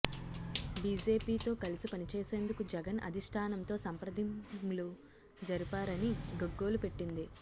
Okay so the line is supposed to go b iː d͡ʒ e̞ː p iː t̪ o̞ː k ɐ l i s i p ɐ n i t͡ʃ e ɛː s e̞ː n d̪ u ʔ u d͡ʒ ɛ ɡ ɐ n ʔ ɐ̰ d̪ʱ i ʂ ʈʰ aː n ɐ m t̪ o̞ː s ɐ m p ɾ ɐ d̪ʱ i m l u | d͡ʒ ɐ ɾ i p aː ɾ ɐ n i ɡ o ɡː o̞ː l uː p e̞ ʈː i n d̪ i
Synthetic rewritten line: b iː d͡ʒ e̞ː p iː t̪ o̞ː k ɐ l i s i p ɐ n i t͡ʃ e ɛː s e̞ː n d̪ u k u d͡ʒ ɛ ɡ ɐ n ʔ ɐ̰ d̪ʱ i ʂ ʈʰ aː n ɐ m t̪ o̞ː s ɐ m p ɾ ɐ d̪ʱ i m l u | d͡ʒ ɐ ɾ i p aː ɾ ɐ n i ɡ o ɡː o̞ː l u p e̞ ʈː i n d̪ i